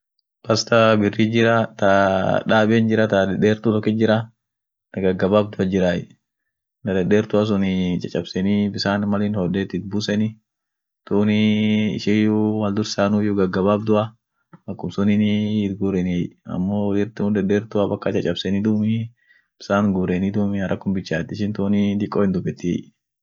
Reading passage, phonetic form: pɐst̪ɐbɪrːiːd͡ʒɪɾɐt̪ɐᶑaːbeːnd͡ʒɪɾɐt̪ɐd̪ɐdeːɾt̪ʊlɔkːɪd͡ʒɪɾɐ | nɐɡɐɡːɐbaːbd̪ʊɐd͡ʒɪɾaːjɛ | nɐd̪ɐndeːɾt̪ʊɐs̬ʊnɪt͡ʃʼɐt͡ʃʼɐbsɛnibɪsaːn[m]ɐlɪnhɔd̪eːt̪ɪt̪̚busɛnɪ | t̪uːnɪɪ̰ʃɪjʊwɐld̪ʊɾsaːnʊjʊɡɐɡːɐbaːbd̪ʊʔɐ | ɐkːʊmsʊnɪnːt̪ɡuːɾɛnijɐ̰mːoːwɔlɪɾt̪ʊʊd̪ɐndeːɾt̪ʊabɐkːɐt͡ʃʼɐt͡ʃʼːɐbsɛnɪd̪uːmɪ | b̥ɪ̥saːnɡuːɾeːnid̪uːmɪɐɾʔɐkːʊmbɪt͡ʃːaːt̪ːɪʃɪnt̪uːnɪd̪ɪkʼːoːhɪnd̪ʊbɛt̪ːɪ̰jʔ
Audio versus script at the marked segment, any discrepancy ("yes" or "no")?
no